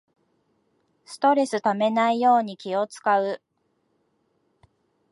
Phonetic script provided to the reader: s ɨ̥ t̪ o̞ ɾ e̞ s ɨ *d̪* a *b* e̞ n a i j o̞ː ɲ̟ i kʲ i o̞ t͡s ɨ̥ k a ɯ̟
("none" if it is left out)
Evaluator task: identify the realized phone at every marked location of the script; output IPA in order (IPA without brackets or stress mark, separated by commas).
t̪, m